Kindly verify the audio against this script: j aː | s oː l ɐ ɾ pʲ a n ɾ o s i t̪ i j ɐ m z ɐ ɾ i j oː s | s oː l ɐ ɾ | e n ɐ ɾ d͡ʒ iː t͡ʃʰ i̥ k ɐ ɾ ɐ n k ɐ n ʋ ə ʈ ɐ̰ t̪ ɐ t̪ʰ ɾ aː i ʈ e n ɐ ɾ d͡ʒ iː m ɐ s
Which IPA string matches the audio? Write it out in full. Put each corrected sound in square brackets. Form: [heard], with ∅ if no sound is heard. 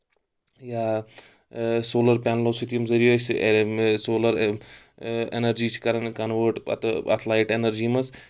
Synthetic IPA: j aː | s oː l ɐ ɾ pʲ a n [l] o s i t̪ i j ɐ m z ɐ ɾ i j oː s | s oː l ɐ ɾ | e n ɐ ɾ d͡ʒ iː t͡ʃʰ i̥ k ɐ ɾ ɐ n k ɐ n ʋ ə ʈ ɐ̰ t̪ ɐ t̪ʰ [l] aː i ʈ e n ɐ ɾ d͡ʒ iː m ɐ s